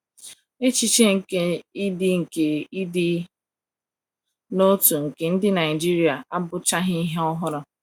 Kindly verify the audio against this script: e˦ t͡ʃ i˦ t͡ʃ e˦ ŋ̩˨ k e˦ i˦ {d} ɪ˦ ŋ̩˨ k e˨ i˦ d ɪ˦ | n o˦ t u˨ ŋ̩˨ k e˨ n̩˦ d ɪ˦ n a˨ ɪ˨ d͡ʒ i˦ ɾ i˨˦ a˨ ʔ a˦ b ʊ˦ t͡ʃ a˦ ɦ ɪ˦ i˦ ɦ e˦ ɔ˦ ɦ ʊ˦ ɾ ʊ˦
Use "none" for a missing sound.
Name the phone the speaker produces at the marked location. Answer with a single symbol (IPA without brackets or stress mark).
d